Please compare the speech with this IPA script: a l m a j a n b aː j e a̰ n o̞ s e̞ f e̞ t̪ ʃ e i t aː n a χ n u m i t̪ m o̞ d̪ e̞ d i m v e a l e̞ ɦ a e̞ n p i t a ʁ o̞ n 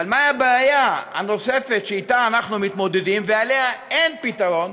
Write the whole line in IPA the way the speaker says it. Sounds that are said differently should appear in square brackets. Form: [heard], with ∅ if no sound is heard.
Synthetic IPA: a l m a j a [∅] b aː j [a] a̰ n o̞ s e̞ f e̞ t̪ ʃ e i t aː n a χ n u m i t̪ m o̞ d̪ e̞ d i m v e a l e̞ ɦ a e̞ n p i t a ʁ o̞ n